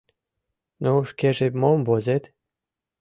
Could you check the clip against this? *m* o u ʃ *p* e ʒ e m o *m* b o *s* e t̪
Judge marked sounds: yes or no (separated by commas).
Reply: no, no, yes, no